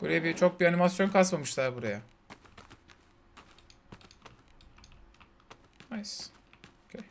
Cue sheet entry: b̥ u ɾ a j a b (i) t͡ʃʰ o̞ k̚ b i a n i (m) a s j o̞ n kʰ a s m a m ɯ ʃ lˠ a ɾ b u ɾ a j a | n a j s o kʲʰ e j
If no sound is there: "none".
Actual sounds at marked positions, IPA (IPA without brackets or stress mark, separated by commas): i, m